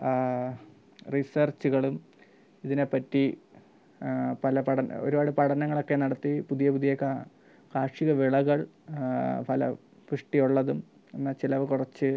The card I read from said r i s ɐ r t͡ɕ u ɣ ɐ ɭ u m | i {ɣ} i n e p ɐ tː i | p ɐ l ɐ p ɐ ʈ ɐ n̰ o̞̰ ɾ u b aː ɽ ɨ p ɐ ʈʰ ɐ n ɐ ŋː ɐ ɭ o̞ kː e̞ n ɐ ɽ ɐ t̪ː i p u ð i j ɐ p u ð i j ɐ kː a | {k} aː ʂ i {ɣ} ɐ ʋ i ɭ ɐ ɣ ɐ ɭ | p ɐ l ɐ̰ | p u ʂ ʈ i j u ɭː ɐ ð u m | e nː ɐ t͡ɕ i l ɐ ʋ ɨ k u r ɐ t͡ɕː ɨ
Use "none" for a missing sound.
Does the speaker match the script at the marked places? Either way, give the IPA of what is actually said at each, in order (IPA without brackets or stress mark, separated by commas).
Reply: ð, k, ɣ